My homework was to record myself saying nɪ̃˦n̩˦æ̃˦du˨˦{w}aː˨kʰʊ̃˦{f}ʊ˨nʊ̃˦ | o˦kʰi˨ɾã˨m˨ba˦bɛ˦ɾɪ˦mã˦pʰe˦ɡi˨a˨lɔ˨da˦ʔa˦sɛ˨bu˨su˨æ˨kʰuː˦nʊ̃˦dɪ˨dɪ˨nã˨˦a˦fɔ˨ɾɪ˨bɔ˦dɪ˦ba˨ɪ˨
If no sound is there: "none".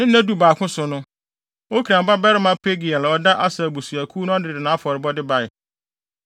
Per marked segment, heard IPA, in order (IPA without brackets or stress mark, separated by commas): b, s